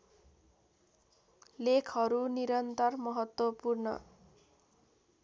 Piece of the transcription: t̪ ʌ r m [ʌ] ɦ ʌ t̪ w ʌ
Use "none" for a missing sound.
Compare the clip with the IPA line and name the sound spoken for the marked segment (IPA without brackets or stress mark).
ʌ